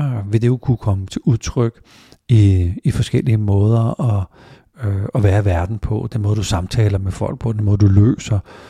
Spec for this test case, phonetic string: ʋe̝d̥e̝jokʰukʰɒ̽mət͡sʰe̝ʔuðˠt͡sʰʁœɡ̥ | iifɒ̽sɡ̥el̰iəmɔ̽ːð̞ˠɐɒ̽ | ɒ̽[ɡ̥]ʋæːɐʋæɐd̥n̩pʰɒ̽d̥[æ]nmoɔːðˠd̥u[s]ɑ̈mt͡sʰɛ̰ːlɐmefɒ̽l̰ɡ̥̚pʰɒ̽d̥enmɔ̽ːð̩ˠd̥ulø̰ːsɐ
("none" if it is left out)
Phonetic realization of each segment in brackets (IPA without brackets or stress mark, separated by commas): none, e, s